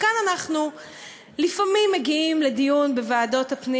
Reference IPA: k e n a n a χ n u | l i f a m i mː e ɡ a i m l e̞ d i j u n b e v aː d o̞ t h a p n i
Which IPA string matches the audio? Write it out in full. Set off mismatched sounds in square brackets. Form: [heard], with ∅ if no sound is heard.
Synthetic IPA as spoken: k [a] n a n a χ n u | l i f a m i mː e ɡ [i] i m l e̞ d i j u n b e v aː d o̞ t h a p n i